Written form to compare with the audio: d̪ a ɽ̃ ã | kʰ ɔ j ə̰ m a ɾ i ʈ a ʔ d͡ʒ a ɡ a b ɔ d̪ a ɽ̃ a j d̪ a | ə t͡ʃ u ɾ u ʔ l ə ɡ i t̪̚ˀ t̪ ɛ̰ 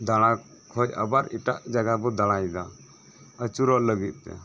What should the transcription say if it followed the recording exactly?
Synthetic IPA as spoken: d̪ a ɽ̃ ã | kʰ ɔ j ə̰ b a ɾ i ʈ a ʔ d͡ʒ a ɡ a b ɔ d̪ a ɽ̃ a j d̪ a | ə t͡ʃ u ɾ ɔ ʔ l ə ɡ i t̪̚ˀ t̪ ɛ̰